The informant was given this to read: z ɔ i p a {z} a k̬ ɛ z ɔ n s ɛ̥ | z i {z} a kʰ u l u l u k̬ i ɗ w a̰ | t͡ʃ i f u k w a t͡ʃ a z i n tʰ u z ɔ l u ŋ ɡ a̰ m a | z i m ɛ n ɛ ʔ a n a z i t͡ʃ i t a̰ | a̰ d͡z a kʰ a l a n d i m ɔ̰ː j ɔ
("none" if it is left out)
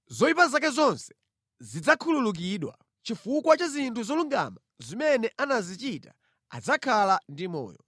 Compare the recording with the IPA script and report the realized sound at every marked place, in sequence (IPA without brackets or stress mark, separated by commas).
z, d͡z